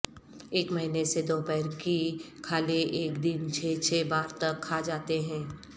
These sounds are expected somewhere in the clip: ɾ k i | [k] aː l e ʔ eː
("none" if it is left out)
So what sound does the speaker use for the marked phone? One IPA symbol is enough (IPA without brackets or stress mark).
kʰ